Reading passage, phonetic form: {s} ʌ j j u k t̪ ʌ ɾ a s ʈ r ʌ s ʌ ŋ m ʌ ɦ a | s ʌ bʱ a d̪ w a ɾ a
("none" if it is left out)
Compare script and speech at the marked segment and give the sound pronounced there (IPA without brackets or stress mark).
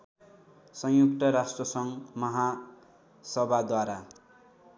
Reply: s